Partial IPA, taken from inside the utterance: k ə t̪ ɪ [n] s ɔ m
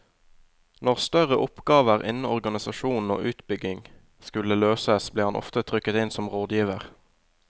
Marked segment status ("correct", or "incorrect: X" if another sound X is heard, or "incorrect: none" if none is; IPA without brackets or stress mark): correct